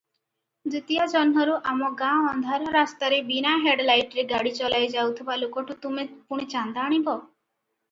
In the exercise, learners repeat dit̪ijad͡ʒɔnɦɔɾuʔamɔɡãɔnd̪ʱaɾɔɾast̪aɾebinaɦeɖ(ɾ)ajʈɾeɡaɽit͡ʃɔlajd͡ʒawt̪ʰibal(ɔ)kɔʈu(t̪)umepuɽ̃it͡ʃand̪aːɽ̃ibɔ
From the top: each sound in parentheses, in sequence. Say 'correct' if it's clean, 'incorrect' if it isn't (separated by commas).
incorrect, incorrect, correct